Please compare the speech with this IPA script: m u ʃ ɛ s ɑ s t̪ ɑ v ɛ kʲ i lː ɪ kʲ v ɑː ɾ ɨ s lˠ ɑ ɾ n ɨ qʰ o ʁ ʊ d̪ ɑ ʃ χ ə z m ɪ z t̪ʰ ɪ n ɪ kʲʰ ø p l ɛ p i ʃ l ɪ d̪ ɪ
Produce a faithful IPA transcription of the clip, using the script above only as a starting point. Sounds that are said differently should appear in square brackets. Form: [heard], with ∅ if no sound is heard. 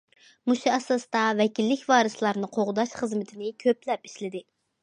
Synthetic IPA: m u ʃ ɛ s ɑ s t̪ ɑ v ɛ kʲ i lː ɪ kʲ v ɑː ɾ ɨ s lˠ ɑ ɾ n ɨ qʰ o ʁ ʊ d̪ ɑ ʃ χ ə z m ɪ [∅] t̪ʰ ɪ n ɪ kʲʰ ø p l ɛ p i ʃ l ɪ d̪ ɪ